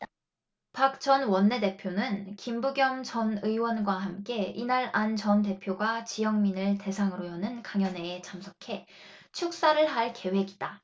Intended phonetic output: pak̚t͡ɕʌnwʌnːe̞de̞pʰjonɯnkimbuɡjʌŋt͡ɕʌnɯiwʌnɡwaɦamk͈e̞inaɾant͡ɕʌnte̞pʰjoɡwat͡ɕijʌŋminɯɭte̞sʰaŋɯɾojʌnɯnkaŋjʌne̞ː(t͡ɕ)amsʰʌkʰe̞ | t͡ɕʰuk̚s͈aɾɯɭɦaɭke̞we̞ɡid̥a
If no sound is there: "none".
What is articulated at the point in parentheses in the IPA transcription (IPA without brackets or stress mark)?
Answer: t͡ɕ